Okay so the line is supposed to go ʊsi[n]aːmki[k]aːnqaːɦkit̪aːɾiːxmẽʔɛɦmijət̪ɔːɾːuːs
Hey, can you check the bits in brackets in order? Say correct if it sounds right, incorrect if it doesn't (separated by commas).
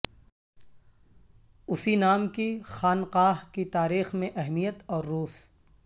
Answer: correct, incorrect